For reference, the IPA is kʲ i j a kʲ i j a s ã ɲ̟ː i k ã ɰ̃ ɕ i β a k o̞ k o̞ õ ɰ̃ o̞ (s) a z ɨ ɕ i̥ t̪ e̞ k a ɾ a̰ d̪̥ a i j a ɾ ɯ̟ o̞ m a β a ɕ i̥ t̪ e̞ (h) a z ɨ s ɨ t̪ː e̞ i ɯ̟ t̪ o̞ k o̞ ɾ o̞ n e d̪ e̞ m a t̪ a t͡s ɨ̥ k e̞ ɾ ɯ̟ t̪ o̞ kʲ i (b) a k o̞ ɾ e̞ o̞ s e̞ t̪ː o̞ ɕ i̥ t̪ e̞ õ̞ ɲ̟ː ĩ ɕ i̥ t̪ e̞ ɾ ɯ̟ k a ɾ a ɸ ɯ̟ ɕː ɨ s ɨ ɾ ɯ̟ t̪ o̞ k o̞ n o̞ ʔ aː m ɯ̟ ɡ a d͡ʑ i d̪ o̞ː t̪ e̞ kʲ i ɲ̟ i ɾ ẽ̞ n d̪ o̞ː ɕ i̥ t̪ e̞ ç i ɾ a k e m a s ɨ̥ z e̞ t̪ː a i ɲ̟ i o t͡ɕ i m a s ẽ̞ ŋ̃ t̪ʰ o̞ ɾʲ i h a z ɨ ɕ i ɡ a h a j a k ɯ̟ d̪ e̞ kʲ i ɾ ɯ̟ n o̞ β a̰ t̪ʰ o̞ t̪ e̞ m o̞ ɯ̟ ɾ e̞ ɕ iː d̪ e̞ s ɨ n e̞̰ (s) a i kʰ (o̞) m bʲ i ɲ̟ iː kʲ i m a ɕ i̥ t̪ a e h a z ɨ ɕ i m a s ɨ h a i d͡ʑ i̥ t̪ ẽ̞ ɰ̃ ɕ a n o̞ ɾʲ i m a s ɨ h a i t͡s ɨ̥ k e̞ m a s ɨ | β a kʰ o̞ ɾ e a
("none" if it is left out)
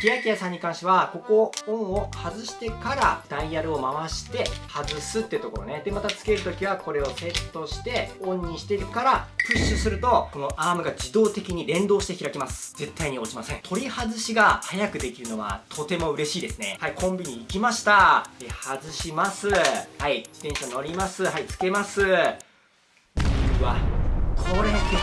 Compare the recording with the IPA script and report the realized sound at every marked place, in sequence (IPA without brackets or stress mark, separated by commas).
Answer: h, h, β, h, õ̞